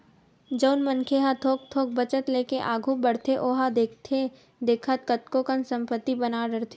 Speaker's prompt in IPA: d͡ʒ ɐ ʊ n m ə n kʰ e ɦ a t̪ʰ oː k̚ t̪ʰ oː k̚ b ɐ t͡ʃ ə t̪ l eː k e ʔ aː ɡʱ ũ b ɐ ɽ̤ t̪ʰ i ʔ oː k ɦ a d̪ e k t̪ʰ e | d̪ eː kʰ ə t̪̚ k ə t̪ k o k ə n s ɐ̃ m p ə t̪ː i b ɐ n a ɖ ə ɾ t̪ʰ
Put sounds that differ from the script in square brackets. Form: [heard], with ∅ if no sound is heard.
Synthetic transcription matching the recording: d͡ʒ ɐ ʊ n m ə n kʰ e ɦ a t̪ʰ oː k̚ t̪ʰ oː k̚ b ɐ t͡ʃ ə t̪ l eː k e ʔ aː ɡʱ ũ b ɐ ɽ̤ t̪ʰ [e] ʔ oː [∅] ɦ a d̪ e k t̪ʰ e | d̪ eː kʰ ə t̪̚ k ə t̪ k o k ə n s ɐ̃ m p ə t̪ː i b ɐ n a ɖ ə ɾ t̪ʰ